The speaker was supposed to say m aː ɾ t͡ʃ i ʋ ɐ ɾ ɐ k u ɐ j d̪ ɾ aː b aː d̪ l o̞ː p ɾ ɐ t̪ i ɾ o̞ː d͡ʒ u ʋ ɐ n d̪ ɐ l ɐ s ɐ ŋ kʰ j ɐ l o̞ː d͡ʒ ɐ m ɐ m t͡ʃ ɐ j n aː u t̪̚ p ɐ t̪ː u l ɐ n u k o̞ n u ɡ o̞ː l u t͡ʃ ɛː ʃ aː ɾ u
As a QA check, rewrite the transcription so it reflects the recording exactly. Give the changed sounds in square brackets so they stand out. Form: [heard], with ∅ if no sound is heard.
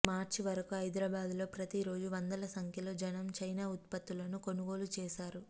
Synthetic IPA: m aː ɾ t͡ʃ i ʋ ɐ ɾ ɐ k u ɐ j d̪ ɾ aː b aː d̪ l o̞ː p ɾ ɐ t̪ i ɾ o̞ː d͡ʒ u ʋ ɐ n d̪ ɐ l ɐ s ɐ ŋ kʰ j ɐ l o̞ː d͡ʒ ɐ [n] ɐ m t͡ʃ ɐ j n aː u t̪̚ p ɐ t̪ː u l ɐ n u k o̞ n u ɡ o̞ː l u t͡ʃ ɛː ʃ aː ɾ u